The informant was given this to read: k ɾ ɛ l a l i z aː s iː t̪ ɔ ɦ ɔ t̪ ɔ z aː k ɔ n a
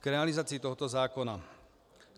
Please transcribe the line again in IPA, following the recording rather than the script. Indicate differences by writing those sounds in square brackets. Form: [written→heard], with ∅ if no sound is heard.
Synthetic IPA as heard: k ɾ ɛ [l→∅] a l i z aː [s→t͡s] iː t̪ ɔ ɦ ɔ t̪ ɔ z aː k ɔ n a